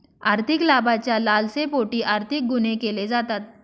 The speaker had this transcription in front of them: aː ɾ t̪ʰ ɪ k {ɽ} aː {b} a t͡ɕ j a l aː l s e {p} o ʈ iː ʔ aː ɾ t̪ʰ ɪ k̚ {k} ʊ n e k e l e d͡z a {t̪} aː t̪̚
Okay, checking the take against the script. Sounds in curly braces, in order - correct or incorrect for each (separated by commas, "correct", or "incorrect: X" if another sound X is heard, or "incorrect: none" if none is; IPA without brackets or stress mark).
incorrect: l, correct, correct, incorrect: ɡ, correct